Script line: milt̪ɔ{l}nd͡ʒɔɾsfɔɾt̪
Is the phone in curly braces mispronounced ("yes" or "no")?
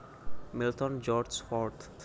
yes